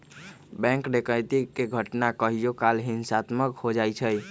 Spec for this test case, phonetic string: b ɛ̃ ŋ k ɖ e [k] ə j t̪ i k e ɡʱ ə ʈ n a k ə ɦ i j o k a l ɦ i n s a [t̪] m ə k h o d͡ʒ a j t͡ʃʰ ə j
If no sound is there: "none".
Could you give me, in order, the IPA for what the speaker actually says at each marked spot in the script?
k, t̪

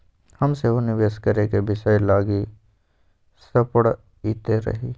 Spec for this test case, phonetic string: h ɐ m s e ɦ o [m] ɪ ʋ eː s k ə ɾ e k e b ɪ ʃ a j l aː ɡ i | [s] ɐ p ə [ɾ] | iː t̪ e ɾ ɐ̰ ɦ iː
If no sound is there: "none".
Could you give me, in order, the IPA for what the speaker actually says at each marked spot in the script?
n, s, ɽ

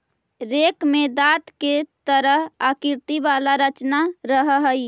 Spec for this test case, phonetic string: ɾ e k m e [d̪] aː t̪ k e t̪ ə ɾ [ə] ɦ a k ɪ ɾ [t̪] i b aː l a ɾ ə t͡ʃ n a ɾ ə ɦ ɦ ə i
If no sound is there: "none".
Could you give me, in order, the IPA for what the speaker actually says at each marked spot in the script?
d̪, ə, t̪

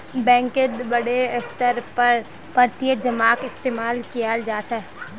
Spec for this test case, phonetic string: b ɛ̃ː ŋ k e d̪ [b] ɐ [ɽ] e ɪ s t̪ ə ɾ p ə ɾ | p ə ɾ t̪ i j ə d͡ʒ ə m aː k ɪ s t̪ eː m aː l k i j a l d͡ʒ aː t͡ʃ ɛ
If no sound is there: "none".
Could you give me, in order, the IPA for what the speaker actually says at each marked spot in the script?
b, ɽ

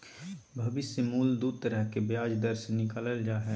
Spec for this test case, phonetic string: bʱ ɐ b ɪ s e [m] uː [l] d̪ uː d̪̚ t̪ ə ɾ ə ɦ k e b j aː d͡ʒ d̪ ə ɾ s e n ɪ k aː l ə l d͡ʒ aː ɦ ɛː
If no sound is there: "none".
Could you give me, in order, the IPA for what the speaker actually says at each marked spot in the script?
m, l

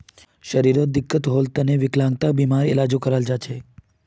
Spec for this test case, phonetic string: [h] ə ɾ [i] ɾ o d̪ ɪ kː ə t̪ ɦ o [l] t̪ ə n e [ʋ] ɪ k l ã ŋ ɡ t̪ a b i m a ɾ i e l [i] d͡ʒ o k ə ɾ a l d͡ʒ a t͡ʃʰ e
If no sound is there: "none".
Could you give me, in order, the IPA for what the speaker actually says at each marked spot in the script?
ʃ, i, l, ʋ, a

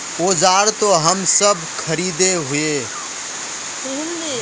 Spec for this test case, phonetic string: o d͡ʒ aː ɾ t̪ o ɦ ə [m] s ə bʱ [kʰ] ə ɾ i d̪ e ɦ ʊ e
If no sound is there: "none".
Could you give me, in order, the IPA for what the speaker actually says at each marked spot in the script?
m, kʰ

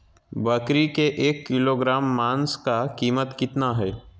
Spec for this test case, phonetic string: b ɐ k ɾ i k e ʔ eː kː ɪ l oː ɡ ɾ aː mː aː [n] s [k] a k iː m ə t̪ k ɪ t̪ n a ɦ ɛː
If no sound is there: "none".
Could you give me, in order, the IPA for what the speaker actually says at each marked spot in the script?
n, k

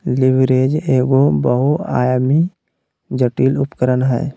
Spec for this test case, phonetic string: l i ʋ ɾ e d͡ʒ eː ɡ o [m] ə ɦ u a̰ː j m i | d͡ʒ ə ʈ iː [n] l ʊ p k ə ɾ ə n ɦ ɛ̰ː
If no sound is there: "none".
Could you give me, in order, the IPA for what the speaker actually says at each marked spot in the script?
b, none

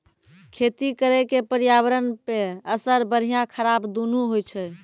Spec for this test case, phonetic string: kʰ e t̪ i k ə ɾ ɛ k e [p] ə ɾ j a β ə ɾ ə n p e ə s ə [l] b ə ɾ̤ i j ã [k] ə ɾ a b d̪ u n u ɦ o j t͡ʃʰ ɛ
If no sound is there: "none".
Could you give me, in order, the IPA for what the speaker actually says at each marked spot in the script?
p, ɾ, kʰ

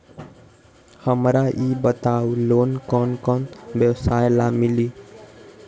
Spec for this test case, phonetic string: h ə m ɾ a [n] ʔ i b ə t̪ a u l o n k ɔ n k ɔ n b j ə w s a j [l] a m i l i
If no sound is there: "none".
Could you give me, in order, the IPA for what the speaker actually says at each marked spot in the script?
none, l

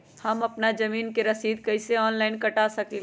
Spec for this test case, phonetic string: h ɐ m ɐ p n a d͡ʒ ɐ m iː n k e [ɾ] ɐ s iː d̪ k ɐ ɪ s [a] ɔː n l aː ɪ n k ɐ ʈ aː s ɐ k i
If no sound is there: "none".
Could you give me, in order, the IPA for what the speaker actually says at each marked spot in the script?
ɾ, e

